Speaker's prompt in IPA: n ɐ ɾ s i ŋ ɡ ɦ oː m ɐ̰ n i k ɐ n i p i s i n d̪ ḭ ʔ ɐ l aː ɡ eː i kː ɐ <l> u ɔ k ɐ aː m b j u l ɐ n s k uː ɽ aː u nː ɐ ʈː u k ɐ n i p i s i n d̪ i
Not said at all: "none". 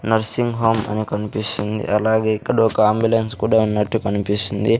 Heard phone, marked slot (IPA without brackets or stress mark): ɽ